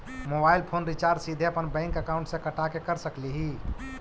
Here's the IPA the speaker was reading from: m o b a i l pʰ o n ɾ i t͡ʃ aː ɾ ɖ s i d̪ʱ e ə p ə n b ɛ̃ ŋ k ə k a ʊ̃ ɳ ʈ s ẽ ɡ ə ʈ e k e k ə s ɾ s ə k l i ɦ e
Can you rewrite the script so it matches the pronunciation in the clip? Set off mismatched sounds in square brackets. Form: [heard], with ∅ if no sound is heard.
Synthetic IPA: m o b a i l pʰ o n ɾ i t͡ʃ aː ɾ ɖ s i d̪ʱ e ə p ə n b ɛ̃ ŋ k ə k a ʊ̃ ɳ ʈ s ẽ [k] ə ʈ [a] k e k ə [∅] ɾ s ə k l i ɦ [i]